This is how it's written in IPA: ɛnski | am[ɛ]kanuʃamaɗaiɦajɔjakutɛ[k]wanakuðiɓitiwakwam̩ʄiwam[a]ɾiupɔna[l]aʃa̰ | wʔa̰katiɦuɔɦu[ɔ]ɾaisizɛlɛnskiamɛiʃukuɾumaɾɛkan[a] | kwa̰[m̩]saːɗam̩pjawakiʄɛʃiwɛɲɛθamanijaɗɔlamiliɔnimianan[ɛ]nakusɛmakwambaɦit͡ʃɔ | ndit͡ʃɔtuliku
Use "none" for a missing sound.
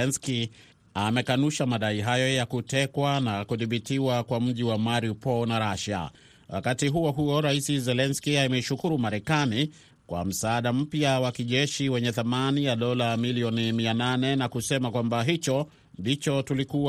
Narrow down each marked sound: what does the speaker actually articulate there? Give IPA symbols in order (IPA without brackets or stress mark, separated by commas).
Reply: ɛ, k, a, ɾ, ɔ, i, m̩, ɛ